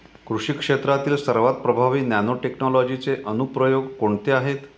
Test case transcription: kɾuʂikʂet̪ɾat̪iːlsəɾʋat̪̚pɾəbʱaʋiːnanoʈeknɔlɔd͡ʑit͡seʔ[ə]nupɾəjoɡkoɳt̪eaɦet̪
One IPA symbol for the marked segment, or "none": ə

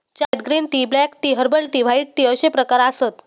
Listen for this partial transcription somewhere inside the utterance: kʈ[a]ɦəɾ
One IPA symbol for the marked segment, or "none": i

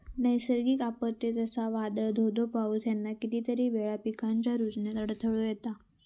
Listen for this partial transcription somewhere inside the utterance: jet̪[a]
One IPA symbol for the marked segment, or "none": a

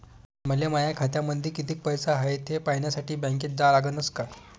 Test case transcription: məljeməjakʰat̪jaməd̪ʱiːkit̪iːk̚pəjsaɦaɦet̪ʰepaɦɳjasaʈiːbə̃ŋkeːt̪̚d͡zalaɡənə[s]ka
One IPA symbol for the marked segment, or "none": s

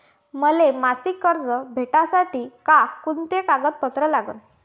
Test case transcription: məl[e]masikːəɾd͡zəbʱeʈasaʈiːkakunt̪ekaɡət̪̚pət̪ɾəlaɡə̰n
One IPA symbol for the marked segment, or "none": e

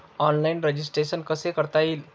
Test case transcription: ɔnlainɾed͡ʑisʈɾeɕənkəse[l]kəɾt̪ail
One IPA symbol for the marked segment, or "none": none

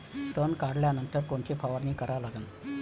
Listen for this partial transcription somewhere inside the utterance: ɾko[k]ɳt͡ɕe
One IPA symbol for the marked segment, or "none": none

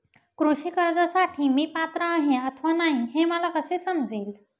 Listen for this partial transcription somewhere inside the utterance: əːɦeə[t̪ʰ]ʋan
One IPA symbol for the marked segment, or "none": t̪ʰ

